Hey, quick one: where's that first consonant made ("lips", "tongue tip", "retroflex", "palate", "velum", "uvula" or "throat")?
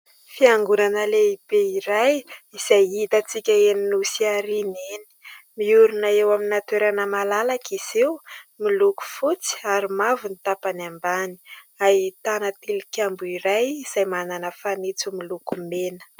lips